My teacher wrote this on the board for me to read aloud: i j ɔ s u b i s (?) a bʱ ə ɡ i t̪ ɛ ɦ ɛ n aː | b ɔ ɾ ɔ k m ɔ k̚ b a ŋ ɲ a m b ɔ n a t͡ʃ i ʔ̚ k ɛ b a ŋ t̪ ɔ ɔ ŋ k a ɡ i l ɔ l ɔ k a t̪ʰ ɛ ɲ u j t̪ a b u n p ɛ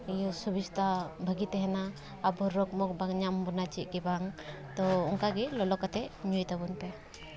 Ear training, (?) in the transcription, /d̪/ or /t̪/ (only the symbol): t̪